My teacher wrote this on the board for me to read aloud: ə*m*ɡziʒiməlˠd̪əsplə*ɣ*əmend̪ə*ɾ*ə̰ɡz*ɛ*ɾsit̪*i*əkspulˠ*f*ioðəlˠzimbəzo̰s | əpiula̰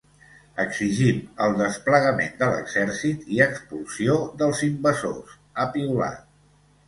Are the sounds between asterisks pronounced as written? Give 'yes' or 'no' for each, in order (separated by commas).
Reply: no, yes, no, yes, yes, no